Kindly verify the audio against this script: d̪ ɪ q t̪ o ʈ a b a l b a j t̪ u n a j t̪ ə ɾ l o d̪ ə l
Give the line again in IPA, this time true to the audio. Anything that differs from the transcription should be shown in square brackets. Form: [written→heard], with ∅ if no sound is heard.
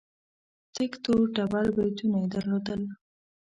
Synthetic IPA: [d̪→t̪] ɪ [q→k] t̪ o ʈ a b a l b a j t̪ u n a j [t̪→d̪] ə ɾ l o d̪ ə l